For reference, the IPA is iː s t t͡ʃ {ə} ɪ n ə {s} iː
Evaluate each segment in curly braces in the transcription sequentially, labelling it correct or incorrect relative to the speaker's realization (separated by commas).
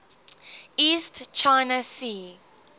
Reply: incorrect, correct